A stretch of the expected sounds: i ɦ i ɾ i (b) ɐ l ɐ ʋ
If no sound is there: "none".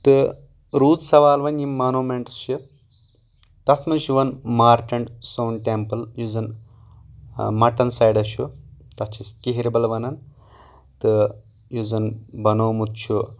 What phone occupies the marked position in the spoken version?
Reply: b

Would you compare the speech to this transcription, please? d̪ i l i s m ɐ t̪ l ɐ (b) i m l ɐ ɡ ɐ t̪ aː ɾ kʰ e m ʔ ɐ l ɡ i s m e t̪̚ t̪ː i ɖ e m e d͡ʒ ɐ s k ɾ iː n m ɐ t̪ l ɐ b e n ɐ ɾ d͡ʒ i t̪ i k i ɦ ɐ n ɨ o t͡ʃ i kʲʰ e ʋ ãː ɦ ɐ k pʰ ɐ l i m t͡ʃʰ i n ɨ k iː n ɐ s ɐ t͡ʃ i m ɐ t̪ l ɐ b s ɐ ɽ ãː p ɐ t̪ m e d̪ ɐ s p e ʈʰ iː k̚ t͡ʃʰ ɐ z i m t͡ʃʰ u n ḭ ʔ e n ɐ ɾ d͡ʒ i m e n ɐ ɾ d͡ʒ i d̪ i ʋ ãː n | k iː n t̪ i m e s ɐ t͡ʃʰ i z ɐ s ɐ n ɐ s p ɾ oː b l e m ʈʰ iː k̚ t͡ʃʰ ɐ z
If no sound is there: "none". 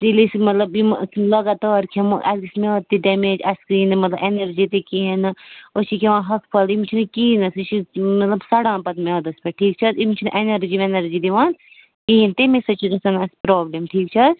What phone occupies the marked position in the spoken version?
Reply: b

